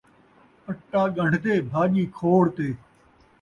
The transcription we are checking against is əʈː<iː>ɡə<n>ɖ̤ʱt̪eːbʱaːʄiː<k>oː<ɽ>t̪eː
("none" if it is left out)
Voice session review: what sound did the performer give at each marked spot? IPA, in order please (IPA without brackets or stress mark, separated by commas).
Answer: aː, ɳ, kʰ, ɽ